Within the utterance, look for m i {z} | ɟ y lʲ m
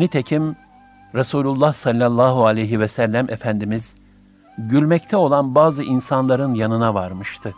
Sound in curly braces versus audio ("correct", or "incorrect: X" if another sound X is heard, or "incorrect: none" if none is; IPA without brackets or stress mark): correct